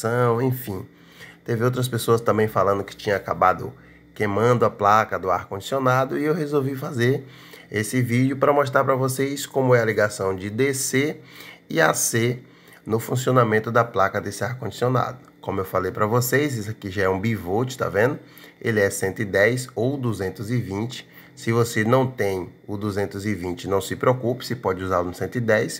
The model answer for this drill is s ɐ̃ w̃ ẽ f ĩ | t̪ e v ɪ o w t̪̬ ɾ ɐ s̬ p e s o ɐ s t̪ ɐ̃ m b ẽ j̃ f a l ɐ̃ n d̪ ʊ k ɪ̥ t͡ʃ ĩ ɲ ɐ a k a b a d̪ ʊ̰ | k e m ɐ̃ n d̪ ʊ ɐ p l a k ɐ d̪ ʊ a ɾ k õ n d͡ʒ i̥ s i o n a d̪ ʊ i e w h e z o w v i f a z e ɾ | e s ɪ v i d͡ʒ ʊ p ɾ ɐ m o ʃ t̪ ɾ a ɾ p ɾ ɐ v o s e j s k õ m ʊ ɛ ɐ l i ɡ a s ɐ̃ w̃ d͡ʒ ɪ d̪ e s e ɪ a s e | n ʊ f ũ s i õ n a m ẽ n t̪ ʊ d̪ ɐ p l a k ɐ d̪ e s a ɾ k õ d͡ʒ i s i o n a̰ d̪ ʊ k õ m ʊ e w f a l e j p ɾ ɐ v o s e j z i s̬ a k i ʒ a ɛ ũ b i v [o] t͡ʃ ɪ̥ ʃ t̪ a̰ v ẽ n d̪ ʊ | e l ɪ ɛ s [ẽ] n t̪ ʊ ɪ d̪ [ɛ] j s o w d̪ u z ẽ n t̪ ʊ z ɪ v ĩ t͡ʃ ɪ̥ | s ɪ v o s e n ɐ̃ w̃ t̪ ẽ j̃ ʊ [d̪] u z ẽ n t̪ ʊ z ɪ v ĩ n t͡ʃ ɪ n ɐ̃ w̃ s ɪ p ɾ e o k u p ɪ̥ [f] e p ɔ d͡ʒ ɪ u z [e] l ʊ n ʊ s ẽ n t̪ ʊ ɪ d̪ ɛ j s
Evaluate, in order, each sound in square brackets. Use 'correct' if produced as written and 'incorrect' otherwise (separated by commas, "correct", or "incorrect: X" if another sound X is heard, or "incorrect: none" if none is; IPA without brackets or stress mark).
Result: correct, correct, correct, correct, incorrect: s, incorrect: a